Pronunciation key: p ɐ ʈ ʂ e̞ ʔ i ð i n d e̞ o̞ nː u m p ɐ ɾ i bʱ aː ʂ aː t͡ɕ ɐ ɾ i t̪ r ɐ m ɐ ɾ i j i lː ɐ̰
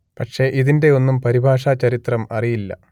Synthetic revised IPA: p ɐ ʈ ʂ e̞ ʔ i ð i n d e̞ o̞ nː u m p ɐ ɾ i bʱ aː ʂ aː t͡ɕ ɐ ɾ i t̪ r ɐ m ɐ r i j i lː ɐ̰